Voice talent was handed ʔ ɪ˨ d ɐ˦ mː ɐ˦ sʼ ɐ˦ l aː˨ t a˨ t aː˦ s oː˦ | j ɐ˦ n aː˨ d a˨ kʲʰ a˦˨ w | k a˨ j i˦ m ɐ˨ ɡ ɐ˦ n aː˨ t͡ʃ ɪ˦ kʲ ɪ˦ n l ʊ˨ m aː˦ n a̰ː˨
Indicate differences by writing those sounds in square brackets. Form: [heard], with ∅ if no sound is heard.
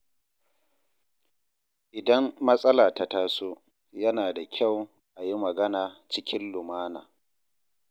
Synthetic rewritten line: ʔ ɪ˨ d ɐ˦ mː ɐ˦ sʼ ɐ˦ l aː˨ t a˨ t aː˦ s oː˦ | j ɐ˦ n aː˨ d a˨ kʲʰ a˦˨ w | [ʔ] a˨ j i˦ m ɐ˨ ɡ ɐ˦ n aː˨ t͡ʃ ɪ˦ kʲ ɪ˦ n l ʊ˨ m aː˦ n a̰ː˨